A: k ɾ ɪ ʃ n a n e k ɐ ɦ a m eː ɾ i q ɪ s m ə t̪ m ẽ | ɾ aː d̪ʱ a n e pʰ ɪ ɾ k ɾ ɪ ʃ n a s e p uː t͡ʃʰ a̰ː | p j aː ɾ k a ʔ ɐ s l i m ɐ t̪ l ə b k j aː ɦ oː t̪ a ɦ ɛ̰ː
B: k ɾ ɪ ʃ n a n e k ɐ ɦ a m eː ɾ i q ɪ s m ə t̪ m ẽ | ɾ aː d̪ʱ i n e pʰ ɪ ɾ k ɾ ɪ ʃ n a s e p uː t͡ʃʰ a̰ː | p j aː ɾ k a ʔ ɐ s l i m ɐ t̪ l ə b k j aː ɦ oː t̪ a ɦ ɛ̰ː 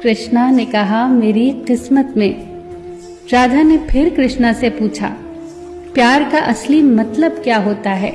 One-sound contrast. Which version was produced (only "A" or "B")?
A